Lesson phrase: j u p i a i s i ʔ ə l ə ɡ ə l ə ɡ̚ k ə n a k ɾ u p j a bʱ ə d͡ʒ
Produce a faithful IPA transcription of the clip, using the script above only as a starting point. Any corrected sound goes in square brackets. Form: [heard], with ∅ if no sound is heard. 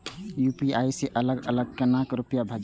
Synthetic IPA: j u p i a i s [e] ʔ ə l ə ɡ ə l ə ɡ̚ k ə n a k ɾ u p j a bʱ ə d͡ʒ